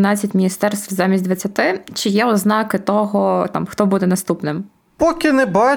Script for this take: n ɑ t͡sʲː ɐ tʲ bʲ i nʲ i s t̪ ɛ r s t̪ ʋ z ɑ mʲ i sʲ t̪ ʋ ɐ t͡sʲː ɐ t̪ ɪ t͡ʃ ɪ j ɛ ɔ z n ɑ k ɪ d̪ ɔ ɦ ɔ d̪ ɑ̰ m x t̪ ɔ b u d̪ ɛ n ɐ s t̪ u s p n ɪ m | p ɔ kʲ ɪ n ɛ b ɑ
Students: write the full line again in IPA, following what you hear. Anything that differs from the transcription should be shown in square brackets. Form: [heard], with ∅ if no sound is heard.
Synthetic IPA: n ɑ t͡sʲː ɐ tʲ [mʲ] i nʲ i s t̪ ɛ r s t̪ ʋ z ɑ mʲ i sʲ [d̪] ʋ ɐ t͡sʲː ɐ t̪ ɪ t͡ʃ ɪ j ɛ ɔ z n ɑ k ɪ [t̪] ɔ ɦ ɔ [t̪] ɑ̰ m x t̪ ɔ b u d̪ ɛ n ɐ s t̪ u [∅] p n ɪ m | p ɔ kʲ ɪ n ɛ b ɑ